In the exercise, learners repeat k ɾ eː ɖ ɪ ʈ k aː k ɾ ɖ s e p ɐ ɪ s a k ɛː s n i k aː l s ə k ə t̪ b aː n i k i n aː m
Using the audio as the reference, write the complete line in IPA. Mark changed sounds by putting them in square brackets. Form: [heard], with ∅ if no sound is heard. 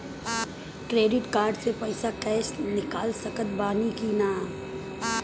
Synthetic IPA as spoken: k ɾ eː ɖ ɪ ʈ k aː [∅] ɾ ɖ s e p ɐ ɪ s a k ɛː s n [ɪ] k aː l s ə k ə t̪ b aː n i k i n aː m